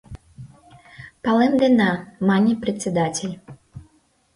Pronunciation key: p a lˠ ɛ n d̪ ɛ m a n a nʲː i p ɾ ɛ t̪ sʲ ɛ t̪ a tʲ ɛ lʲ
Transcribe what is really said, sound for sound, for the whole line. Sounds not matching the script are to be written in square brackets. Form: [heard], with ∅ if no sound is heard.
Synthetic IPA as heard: p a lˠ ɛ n d̪ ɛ [n] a [m] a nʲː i p ɾ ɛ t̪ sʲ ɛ [d̪] a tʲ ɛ lʲ